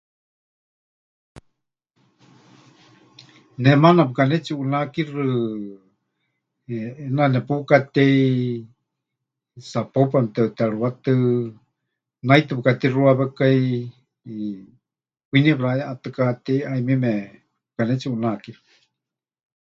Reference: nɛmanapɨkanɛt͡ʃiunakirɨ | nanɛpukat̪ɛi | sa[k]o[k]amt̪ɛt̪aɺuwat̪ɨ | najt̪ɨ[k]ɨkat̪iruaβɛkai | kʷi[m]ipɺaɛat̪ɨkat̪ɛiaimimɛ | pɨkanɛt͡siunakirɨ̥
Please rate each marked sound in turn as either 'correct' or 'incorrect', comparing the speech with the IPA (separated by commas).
incorrect, incorrect, incorrect, incorrect